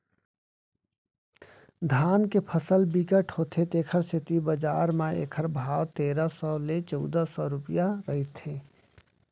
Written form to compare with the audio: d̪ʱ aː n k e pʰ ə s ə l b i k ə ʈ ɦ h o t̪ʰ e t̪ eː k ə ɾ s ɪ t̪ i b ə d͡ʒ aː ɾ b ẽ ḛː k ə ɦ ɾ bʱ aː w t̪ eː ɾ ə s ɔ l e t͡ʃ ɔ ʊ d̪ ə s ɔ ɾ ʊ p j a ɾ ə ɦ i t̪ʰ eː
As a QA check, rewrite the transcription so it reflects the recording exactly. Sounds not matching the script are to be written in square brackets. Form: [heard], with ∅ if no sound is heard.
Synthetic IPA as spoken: d̪ʱ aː n k e pʰ ə s ə l b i k ə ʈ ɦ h o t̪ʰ e t̪ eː [kʰ] ə ɾ s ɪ t̪ i b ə d͡ʒ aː ɾ [m] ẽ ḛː [kʰ] ə [∅] ɾ bʱ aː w t̪ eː ɾ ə s ɔ l e t͡ʃ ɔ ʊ d̪ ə s ɔ ɾ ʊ p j a ɾ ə ɦ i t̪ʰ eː